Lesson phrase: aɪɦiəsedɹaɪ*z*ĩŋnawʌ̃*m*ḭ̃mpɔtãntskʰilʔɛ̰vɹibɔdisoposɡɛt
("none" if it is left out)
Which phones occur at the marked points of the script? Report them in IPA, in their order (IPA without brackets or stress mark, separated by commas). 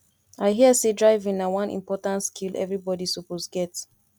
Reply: v, n